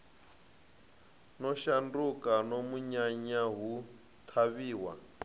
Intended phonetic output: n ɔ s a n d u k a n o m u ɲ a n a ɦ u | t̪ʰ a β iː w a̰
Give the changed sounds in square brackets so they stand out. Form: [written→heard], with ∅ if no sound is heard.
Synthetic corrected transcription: n ɔ [s→ʃ] a n d u k a n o m u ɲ a [n→ɲ] a ɦ u | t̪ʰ a β iː w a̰